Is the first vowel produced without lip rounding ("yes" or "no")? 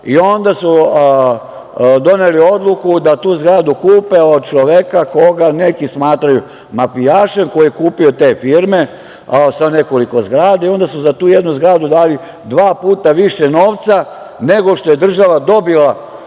yes